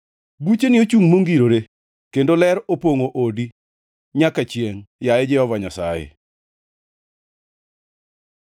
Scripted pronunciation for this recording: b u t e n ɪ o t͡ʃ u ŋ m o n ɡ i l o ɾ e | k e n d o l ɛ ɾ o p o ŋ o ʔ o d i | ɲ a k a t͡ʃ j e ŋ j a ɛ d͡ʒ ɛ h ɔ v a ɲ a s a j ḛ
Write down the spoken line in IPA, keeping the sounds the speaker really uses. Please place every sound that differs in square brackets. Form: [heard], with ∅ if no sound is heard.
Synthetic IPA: b u [t͡ʃ] e n ɪ o t͡ʃ u ŋ m o [ŋ] ɡ i [ɾ] o ɾ e | k e n d o l ɛ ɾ o p o ŋ o ʔ o d i | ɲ a k a t͡ʃ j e ŋ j a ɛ d͡ʒ ɛ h ɔ v a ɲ a s a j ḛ